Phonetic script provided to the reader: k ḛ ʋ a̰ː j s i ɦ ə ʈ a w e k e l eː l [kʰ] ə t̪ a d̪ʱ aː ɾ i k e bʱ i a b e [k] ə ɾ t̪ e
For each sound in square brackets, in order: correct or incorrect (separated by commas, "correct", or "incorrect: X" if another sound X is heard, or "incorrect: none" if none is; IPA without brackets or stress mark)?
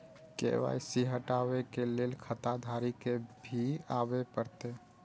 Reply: correct, incorrect: p